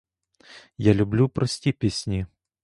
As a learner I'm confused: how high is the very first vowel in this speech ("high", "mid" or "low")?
low